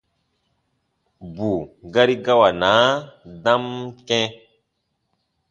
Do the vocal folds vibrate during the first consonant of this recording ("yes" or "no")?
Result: yes